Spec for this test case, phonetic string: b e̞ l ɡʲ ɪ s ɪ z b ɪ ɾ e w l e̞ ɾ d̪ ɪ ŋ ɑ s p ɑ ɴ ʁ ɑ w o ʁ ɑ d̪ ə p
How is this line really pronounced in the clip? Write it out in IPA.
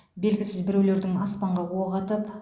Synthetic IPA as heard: b e̞ l ɡʲ ɪ s ɪ z b ɪ ɾ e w l e̞ ɾ d̪ ɪ ŋ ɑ s p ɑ ɴ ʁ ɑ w o ʁ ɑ t̪ ə p